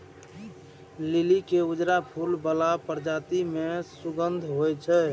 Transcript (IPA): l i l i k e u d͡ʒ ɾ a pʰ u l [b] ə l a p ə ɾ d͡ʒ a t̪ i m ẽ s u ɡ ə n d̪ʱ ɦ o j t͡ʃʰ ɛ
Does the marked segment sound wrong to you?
no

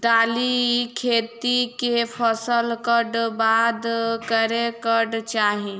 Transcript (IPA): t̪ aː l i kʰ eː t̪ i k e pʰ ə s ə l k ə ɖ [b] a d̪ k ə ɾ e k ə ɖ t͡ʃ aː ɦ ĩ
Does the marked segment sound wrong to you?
no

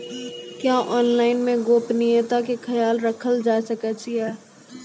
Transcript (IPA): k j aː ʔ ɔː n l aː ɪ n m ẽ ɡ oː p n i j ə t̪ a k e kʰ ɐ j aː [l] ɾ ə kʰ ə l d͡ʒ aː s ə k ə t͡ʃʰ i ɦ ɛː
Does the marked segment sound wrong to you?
no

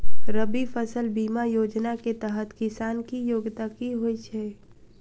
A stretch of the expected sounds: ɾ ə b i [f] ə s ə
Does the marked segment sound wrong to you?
no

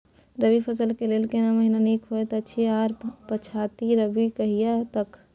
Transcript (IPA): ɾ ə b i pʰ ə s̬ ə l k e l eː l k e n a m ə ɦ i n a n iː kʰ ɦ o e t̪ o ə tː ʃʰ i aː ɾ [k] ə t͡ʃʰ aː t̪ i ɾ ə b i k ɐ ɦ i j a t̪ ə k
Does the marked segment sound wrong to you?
yes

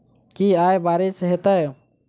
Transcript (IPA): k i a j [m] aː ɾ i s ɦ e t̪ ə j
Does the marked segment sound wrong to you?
yes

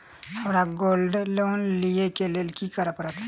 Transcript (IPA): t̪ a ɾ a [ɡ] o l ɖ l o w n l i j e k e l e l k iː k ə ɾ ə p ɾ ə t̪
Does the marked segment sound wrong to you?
no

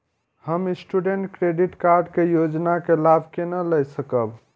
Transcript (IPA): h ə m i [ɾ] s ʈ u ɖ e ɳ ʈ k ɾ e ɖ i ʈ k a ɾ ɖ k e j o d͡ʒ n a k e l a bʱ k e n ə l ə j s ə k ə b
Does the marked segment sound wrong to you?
yes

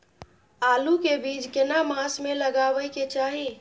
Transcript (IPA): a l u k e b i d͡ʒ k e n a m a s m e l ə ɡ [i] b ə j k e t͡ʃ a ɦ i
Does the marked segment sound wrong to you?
yes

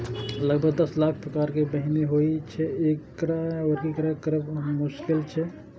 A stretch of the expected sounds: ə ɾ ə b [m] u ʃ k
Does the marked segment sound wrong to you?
no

